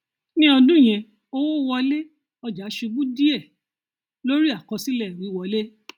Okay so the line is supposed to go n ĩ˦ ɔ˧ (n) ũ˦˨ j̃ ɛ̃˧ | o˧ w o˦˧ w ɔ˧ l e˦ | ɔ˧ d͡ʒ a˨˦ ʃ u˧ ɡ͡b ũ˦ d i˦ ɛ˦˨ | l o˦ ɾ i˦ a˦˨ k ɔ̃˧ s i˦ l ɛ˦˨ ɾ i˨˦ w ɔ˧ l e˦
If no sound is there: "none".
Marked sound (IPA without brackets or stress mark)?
d